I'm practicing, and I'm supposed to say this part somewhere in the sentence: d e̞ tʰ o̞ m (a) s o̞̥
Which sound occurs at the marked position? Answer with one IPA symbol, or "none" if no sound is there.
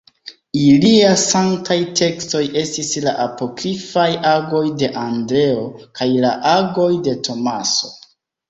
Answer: a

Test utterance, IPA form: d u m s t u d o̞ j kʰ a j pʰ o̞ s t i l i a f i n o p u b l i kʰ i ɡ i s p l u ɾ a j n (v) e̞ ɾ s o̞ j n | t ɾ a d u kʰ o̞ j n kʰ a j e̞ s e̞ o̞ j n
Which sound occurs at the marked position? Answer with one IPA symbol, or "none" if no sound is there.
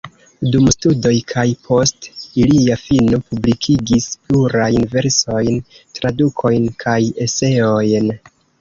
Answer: v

